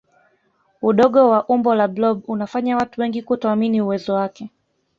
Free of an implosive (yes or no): no